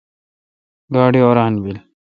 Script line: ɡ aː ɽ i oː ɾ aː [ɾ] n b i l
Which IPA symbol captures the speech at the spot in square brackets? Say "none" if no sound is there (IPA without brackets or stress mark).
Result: none